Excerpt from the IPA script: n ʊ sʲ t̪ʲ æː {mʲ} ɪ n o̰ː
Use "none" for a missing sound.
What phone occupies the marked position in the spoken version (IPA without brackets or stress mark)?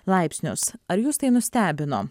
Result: bʲ